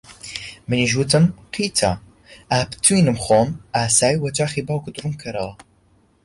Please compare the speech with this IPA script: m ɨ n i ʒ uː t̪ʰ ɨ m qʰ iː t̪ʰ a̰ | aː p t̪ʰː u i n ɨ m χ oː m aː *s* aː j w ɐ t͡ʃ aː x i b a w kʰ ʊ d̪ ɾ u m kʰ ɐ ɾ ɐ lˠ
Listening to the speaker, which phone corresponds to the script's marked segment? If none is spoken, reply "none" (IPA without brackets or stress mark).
s